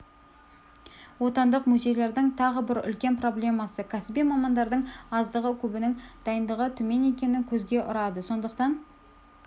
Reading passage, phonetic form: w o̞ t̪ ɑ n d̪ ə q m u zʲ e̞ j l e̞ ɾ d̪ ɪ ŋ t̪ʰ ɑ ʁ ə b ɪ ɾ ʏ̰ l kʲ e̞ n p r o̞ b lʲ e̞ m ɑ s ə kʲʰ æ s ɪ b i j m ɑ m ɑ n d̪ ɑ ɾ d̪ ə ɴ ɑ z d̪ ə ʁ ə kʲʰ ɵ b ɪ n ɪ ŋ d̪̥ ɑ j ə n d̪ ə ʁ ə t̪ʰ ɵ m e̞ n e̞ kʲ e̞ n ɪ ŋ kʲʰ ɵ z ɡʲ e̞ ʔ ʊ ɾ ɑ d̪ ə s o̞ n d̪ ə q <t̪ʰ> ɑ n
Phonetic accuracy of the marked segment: incorrect: t̪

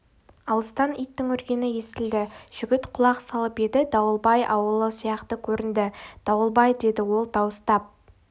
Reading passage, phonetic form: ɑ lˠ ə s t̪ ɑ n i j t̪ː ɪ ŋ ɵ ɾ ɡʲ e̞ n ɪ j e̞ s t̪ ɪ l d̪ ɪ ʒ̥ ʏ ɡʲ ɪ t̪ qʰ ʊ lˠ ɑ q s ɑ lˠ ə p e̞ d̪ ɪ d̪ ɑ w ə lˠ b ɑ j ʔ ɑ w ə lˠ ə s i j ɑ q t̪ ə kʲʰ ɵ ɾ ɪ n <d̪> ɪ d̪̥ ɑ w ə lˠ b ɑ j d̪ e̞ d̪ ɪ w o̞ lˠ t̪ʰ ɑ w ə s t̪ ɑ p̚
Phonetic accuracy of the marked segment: correct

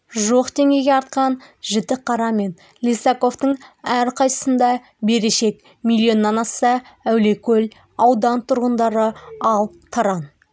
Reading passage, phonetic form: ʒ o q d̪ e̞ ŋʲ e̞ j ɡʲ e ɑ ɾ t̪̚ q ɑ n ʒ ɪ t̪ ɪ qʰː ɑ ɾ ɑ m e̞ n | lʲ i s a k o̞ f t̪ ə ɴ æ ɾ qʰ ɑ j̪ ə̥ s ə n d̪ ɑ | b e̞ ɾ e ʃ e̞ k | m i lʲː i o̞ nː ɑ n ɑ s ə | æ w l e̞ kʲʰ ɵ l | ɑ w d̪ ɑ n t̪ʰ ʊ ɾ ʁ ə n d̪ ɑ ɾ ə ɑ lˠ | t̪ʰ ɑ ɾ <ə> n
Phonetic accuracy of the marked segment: incorrect: ɑ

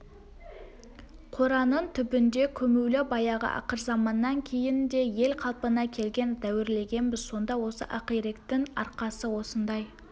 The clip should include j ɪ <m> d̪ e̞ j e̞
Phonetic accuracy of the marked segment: incorrect: n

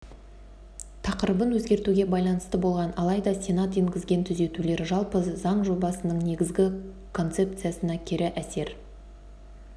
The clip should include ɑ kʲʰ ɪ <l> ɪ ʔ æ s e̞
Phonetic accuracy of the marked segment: incorrect: ɾ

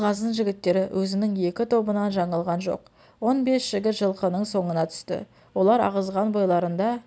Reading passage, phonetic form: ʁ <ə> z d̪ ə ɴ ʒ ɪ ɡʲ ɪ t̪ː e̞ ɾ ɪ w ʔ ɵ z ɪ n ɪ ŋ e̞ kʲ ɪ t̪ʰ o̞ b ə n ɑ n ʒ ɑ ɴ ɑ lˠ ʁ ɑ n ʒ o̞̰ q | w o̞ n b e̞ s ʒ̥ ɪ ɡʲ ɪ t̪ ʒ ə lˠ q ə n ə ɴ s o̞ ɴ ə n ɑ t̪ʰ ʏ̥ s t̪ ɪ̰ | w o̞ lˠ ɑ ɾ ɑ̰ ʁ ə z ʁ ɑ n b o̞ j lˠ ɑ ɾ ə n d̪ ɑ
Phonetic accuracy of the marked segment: incorrect: ɑ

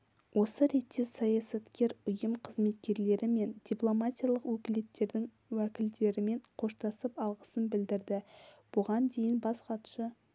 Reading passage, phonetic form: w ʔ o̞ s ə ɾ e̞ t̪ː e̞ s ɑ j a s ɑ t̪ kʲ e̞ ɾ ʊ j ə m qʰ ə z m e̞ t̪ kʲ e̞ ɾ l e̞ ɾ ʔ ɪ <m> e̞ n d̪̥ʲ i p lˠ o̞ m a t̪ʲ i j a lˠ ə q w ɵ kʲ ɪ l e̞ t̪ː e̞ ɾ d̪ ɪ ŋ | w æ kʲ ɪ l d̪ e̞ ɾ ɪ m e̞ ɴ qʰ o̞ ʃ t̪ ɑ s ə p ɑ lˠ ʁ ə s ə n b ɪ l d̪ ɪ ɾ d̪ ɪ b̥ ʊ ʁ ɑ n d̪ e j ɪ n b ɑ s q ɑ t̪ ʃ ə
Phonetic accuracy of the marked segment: correct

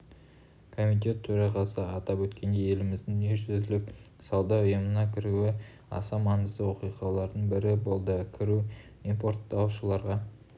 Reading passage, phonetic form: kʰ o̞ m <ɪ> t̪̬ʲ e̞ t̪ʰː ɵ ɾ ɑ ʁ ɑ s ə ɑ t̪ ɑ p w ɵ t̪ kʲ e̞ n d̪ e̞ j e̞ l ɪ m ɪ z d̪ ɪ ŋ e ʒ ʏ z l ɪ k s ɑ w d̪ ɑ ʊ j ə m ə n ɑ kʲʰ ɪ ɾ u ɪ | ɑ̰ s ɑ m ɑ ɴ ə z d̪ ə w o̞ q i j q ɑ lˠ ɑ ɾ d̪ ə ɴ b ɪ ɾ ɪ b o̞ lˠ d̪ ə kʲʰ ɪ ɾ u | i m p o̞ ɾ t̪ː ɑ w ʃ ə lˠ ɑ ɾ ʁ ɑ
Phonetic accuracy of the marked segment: incorrect: i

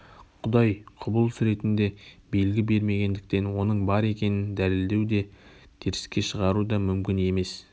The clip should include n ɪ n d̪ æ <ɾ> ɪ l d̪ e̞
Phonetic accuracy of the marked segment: incorrect: l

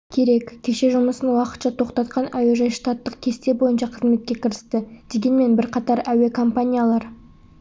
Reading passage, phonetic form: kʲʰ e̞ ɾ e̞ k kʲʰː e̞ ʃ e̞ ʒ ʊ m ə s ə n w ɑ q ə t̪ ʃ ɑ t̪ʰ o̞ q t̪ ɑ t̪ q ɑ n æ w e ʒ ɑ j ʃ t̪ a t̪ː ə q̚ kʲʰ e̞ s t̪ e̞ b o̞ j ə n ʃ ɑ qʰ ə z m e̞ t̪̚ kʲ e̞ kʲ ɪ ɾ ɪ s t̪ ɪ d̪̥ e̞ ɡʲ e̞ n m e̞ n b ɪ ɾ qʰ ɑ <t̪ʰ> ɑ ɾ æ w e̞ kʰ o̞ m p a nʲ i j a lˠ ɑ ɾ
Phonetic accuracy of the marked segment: incorrect: t̪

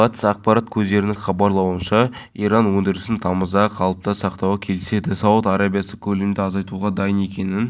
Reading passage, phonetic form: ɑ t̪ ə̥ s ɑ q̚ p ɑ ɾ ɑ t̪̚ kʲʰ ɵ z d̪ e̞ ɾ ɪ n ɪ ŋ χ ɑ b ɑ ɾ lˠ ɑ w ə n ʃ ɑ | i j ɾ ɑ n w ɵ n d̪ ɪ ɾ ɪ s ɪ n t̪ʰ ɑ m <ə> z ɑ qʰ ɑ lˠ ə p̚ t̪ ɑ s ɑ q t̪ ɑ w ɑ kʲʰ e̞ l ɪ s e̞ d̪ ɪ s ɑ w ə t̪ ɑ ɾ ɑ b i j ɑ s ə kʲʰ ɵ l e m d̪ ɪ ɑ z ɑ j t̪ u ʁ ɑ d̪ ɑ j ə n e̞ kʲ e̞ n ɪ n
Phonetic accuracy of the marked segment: correct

